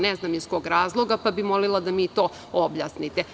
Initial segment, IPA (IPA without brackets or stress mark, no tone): n